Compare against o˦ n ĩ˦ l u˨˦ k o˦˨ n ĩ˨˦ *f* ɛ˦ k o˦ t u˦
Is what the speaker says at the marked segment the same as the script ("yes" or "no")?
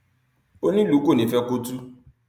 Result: yes